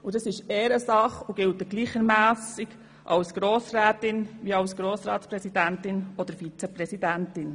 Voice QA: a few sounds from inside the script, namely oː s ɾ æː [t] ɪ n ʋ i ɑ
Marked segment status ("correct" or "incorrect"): correct